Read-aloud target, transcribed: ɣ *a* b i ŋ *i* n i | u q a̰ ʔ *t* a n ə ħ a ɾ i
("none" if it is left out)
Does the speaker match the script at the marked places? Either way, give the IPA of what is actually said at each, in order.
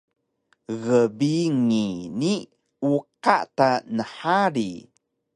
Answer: ə, i, t

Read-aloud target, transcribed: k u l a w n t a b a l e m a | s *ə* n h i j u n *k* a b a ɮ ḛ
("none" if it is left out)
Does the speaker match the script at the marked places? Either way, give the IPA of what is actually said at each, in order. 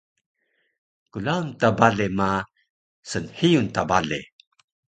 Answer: ə, t

